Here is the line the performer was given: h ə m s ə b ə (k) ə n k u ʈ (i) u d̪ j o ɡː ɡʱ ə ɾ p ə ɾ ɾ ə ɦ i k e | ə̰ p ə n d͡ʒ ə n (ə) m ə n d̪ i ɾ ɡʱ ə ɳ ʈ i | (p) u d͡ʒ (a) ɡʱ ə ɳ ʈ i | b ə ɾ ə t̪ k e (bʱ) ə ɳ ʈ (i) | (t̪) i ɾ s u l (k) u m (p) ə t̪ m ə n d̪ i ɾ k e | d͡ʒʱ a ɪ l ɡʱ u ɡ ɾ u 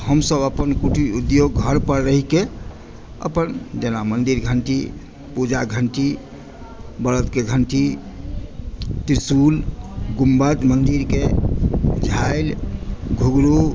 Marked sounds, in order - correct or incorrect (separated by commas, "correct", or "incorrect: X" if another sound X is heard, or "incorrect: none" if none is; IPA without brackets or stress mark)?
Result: incorrect: p, correct, incorrect: a, correct, correct, incorrect: ɡʱ, correct, correct, incorrect: ɡ, incorrect: b